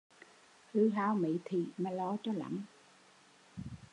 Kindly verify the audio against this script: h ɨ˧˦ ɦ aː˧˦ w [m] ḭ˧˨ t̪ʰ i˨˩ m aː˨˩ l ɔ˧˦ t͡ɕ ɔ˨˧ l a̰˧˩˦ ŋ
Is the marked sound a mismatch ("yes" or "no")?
no